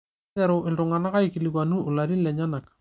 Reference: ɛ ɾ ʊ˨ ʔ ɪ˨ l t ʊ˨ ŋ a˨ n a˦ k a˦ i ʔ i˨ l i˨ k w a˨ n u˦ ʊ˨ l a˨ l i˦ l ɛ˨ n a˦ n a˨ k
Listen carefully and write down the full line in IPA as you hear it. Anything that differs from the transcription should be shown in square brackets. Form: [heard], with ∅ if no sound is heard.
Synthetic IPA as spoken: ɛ ɾ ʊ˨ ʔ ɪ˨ l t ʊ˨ ŋ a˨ n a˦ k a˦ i [k] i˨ l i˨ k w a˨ n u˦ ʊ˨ l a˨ [ɾ] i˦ l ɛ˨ [ɲ] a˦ n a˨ k